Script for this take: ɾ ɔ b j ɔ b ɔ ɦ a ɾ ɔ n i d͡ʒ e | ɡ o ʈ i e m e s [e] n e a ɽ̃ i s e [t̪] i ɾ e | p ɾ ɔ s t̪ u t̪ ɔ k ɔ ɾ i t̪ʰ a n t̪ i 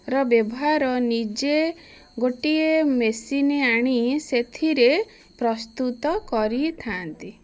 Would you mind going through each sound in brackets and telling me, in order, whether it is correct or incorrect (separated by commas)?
incorrect, incorrect